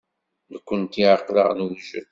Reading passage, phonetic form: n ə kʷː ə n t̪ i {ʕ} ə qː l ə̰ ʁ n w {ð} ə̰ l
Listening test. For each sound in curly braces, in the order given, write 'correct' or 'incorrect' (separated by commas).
correct, incorrect